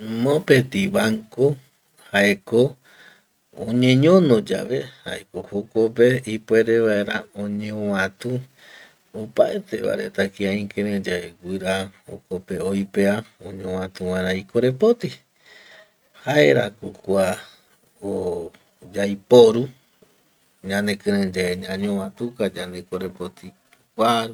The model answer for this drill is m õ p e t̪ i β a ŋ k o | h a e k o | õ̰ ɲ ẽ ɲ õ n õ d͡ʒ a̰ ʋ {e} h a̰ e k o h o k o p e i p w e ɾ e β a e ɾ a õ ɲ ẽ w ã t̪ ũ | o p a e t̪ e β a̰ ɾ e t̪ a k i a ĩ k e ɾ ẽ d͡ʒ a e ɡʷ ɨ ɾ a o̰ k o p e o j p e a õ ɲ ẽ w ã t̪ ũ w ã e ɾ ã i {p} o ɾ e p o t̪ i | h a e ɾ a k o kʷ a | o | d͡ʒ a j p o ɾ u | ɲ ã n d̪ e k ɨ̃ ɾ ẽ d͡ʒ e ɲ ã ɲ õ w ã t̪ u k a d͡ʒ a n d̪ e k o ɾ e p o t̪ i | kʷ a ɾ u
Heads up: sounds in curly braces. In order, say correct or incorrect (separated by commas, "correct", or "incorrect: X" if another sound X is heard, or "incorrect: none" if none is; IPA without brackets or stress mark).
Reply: correct, incorrect: k